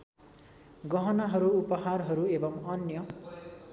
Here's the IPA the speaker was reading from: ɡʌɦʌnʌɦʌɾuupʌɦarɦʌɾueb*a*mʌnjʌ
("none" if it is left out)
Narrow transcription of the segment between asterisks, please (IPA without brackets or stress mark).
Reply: ʌ